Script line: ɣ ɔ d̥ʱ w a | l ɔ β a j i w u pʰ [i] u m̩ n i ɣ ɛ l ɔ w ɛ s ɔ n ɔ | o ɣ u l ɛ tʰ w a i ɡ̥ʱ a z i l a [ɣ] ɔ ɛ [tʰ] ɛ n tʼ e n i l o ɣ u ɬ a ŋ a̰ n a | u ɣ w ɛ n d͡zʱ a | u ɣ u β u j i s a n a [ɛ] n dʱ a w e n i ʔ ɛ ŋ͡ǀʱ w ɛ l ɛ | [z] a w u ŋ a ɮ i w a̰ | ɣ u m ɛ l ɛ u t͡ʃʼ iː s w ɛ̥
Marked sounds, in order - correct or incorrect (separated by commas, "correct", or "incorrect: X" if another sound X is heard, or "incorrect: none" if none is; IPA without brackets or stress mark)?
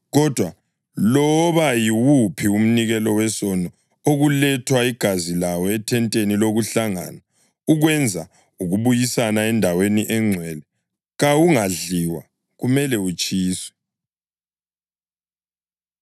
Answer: correct, incorrect: w, correct, correct, incorrect: ɣ